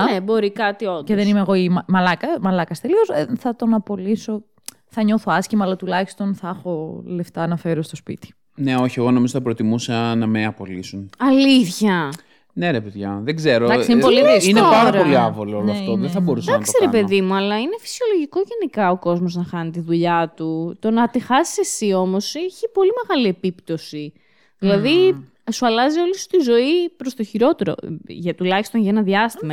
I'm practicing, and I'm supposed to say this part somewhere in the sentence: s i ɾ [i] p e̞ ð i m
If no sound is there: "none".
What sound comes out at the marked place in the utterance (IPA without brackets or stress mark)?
e